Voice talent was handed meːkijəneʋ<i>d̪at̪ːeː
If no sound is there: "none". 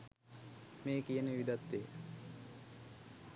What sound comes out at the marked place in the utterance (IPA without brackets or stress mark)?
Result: i